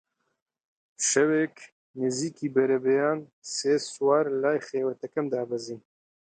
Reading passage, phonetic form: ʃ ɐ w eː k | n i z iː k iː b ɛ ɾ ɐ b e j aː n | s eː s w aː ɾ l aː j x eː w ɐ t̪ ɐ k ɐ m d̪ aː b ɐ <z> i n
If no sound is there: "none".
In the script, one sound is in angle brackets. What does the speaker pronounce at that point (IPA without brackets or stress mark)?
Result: z